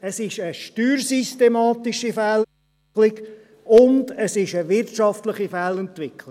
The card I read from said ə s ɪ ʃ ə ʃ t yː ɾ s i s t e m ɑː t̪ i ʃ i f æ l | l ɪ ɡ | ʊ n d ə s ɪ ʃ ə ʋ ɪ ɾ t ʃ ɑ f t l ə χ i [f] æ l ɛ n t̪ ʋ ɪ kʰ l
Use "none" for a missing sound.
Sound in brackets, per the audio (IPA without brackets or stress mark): f